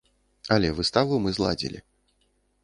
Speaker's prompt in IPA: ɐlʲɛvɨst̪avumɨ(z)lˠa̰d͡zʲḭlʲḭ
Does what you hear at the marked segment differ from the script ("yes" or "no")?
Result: no